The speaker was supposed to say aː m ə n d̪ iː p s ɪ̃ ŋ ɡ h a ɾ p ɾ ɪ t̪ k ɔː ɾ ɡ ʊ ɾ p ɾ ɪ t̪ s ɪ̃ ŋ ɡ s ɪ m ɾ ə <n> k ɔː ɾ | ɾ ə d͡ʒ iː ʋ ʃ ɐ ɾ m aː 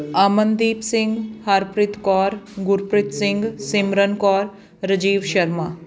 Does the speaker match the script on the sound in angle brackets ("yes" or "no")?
yes